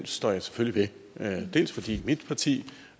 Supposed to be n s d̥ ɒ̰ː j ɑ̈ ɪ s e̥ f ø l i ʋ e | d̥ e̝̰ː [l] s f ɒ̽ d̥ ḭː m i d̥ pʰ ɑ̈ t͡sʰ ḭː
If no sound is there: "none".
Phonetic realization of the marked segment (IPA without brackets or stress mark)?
l